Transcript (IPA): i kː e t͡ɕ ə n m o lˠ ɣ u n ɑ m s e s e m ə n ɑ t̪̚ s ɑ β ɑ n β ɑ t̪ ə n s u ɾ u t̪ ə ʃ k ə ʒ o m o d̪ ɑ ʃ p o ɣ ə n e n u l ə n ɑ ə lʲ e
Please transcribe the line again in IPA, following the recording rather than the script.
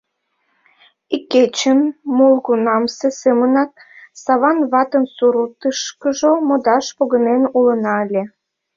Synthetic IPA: i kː e t͡ɕ ə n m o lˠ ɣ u n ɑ m s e s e m ə n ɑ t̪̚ s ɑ β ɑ n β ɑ t̪ ə n s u ɾ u t̪ ə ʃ k ə ʒ o m o d̪ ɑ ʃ p o ɣ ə n e n u l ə n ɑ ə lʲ e